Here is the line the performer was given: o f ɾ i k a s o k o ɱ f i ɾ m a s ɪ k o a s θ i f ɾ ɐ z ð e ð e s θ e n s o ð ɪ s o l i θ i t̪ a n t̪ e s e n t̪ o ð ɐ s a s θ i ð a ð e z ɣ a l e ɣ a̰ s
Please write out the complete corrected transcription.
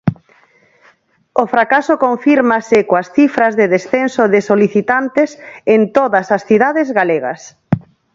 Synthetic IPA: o f ɾ a k a s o k o ɱ f i ɾ m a s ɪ k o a s θ i f ɾ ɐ z ð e ð e s θ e n s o ð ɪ s o l i θ i t̪ a n t̪ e s e n t̪ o ð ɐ s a s θ i ð a ð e z ɣ a l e ɣ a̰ s